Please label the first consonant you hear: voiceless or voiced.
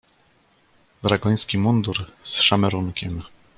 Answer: voiced